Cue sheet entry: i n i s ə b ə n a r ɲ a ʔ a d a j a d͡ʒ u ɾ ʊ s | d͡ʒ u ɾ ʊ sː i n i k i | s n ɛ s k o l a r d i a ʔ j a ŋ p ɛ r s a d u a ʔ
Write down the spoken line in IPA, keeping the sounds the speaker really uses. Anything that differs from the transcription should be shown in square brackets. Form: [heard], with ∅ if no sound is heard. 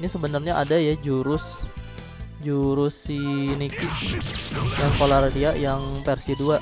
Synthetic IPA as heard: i n i s ə b ə n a r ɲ a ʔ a d a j a d͡ʒ u ɾ ʊ s | d͡ʒ u ɾ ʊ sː i n i k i | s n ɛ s k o l a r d i a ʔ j a ŋ p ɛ r s [i] d u a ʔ